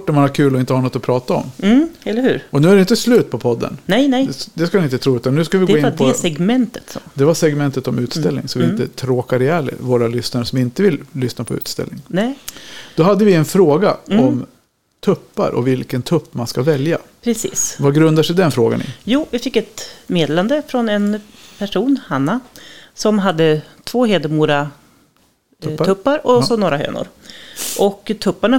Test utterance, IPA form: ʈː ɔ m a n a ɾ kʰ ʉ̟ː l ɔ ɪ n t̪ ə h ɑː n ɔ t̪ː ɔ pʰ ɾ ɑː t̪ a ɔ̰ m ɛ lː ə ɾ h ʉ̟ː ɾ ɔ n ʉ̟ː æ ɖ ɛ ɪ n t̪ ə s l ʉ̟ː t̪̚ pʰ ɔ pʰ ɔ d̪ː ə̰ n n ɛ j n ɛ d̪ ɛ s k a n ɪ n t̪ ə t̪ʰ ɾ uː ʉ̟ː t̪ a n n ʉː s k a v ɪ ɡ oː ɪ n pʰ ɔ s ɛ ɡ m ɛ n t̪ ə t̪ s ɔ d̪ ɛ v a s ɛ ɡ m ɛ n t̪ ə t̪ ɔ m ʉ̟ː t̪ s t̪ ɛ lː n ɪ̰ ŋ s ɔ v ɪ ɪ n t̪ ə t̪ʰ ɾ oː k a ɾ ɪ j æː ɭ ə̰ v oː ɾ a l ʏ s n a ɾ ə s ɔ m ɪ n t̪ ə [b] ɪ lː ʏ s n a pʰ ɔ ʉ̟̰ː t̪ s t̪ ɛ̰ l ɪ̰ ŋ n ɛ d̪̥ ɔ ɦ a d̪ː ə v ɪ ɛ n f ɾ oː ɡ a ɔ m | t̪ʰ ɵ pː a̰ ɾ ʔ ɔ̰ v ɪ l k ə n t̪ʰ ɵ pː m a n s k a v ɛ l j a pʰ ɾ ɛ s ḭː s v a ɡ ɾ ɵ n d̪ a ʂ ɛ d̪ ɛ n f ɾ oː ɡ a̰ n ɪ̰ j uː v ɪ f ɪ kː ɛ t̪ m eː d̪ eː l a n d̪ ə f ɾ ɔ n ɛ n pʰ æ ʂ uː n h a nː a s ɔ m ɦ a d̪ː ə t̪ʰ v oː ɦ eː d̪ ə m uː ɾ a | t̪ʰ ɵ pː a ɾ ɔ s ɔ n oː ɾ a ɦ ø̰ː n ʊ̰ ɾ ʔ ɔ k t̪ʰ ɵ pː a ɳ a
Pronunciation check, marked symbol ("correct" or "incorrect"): incorrect